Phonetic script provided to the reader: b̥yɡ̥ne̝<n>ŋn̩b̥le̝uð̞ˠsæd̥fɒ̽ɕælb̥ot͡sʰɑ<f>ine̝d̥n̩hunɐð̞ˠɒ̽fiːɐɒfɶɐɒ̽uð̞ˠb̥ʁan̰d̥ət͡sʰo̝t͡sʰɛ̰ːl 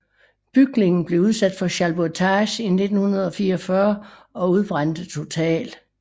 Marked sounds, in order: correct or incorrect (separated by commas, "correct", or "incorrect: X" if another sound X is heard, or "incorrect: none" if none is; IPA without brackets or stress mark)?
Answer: incorrect: none, incorrect: ɕ